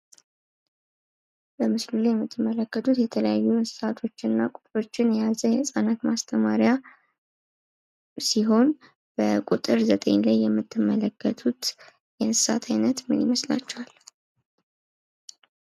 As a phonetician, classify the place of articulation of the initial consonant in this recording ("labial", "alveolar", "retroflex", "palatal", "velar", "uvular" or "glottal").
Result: labial